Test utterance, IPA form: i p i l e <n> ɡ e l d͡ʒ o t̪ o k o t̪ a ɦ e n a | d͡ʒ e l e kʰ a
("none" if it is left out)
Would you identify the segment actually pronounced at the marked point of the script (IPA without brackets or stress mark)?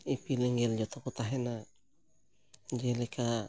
ŋ